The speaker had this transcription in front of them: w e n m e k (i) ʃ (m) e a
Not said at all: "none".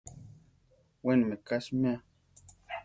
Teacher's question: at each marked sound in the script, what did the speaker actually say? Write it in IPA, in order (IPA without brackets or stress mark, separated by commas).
a, m